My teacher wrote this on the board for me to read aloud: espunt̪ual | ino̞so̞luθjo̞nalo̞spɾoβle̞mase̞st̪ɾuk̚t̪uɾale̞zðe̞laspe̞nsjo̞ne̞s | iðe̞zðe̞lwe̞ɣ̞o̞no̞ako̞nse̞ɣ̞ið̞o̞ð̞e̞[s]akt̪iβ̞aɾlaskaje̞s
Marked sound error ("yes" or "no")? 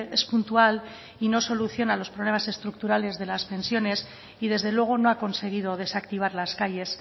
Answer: no